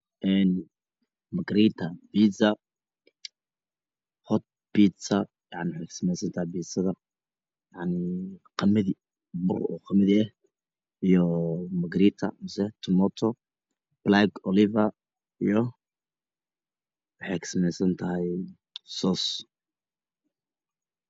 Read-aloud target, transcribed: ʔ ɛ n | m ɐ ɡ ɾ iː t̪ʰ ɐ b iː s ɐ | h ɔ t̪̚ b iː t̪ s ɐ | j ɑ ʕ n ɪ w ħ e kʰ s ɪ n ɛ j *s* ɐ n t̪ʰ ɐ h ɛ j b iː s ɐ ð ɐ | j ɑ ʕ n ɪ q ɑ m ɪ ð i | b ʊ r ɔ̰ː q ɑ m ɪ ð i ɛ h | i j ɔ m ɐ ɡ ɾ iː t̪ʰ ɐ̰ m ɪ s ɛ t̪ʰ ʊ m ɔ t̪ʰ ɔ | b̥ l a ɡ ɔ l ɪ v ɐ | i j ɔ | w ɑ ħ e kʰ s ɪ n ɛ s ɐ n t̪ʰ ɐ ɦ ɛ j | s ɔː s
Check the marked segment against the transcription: correct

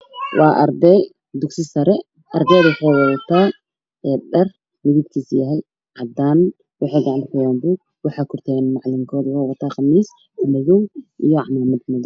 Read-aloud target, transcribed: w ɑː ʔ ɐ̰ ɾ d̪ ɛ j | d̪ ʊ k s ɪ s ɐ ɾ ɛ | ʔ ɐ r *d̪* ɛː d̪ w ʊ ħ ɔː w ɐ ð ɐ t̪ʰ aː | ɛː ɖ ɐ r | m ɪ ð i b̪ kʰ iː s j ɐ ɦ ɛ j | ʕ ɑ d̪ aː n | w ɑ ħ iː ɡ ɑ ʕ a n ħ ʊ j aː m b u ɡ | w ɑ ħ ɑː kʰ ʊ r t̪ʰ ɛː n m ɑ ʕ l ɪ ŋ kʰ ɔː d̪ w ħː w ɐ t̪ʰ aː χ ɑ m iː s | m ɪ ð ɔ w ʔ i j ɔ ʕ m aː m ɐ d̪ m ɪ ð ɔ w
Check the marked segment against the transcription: correct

